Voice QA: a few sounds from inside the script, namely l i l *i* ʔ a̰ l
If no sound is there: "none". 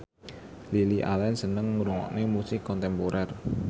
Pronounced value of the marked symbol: i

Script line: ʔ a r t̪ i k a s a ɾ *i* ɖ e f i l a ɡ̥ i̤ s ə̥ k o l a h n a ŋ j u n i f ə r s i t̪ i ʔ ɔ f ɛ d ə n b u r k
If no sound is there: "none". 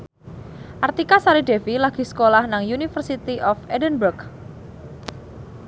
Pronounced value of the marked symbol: i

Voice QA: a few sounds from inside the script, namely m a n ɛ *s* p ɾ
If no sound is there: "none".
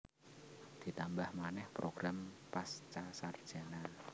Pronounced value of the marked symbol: h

